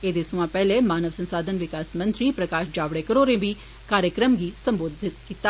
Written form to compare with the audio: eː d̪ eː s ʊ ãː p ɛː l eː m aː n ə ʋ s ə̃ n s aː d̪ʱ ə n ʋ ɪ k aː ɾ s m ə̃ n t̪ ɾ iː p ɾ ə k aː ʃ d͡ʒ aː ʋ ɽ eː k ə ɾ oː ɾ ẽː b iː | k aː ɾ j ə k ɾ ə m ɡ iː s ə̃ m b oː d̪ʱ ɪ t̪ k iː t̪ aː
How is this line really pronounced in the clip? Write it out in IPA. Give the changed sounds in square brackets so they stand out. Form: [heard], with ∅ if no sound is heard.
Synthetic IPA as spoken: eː d̪ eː s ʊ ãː p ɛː l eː m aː n ə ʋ s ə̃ n s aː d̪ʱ ə n ʋ ɪ k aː [∅] s m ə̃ n t̪ ɾ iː p ɾ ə k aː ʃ d͡ʒ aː ʋ ɽ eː k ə ɾ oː ɾ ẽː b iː | k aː ɾ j ə k ɾ ə m ɡ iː s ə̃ m b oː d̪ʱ ɪ t̪ k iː t̪ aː